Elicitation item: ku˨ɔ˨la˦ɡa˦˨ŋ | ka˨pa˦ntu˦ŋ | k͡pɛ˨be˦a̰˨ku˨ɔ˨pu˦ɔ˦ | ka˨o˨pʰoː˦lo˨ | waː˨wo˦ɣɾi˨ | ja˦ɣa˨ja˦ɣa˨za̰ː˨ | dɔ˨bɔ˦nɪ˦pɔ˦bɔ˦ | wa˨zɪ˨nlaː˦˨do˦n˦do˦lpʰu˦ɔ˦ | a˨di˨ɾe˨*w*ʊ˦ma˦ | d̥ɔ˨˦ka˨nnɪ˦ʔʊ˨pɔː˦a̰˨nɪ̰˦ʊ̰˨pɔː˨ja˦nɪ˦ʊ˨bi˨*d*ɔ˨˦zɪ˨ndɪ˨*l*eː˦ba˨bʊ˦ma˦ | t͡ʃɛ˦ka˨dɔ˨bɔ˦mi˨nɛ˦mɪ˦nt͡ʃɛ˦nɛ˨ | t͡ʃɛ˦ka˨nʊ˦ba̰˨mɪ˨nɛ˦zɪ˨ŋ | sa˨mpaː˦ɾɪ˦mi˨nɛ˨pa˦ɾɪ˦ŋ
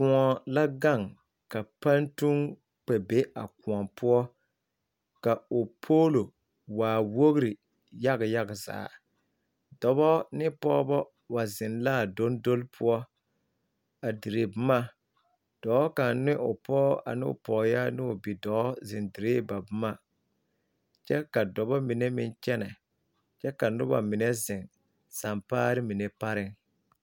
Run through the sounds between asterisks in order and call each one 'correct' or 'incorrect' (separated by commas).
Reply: incorrect, correct, incorrect